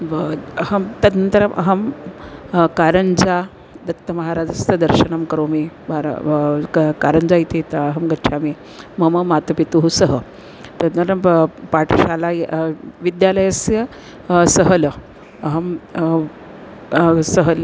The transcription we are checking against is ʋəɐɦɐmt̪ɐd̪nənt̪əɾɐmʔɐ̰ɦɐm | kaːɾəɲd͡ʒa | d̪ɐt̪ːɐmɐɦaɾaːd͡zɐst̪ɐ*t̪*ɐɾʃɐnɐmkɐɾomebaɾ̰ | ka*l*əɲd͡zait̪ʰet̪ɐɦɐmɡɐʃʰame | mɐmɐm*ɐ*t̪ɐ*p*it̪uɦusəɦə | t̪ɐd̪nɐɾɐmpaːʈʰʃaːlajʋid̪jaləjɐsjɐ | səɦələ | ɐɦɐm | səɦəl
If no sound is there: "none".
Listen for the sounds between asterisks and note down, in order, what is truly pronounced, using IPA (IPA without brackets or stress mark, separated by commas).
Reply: d̪, ɾ, a, p